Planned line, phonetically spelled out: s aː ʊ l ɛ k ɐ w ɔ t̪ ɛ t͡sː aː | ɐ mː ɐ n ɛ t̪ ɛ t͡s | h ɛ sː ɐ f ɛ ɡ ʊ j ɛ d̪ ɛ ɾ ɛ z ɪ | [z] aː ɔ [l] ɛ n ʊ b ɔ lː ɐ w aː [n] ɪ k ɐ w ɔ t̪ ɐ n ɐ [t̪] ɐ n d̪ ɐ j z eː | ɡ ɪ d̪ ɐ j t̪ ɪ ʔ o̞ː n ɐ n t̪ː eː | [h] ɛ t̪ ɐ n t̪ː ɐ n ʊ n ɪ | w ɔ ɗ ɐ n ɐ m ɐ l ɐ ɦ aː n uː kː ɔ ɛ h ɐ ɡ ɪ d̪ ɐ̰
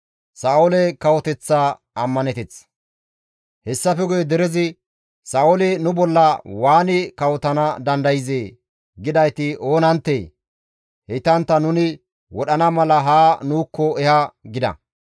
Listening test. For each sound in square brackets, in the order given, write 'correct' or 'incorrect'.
incorrect, correct, correct, incorrect, correct

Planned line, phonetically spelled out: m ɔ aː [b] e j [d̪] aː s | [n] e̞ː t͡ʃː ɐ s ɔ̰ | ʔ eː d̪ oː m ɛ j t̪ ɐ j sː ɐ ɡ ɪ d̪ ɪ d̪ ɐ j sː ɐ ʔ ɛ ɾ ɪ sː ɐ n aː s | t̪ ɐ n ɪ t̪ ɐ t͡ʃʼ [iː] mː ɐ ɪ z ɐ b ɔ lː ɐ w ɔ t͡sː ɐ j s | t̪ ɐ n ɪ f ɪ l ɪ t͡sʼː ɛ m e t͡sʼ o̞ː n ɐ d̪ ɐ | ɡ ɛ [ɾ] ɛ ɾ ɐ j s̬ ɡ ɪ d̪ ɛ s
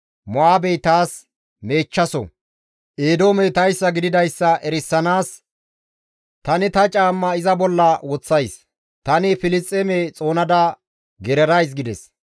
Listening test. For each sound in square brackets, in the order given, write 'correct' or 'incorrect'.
correct, incorrect, incorrect, incorrect, correct

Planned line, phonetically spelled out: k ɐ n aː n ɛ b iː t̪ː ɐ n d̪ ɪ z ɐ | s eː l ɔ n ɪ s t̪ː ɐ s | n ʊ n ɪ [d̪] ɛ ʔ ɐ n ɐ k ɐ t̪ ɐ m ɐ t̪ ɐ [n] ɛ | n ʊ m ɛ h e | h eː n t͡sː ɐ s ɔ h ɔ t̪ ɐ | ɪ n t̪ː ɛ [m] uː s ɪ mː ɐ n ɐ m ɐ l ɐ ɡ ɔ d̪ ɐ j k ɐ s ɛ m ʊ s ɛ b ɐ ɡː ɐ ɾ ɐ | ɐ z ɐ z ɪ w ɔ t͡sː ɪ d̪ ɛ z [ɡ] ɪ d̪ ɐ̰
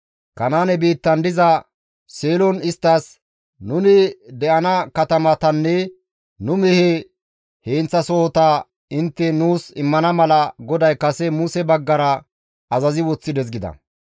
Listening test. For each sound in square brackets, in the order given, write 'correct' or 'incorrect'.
correct, incorrect, incorrect, correct

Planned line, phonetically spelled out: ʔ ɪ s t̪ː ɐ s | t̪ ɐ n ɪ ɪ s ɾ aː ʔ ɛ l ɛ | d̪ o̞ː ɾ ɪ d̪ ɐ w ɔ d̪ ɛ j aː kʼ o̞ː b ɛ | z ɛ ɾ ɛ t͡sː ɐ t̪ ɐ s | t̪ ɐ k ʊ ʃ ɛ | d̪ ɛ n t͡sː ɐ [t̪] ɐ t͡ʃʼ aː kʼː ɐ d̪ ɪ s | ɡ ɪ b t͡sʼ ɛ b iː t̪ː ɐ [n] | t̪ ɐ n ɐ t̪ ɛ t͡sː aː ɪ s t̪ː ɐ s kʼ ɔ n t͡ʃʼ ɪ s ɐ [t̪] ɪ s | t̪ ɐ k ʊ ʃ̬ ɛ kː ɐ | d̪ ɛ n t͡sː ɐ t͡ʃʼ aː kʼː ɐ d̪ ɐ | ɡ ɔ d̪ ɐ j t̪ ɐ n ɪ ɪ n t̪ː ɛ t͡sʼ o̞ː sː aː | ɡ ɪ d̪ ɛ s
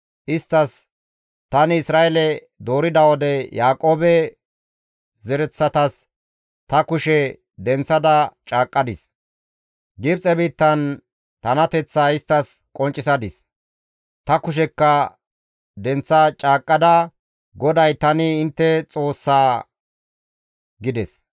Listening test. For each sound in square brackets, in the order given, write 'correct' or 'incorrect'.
incorrect, correct, incorrect

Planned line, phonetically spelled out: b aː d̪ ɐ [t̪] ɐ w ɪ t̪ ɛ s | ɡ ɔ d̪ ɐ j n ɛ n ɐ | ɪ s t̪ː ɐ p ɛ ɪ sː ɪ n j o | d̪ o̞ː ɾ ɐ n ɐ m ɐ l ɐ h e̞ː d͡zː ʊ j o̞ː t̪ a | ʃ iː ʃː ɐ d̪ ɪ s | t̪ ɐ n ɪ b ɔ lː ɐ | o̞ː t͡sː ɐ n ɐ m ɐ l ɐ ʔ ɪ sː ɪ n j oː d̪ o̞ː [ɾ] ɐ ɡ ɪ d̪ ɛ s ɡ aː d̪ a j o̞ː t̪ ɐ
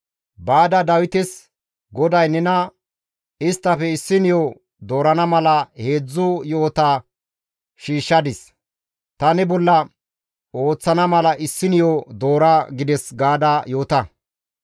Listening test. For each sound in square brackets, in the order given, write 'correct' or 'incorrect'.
incorrect, correct

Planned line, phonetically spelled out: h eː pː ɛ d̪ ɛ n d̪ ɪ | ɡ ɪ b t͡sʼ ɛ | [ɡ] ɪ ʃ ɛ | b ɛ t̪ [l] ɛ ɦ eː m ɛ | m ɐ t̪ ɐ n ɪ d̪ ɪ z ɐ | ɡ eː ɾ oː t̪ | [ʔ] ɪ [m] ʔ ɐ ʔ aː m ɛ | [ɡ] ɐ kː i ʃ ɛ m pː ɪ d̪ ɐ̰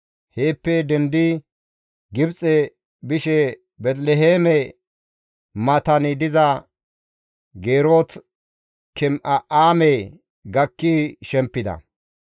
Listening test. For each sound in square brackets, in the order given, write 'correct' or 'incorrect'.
incorrect, correct, incorrect, correct, correct

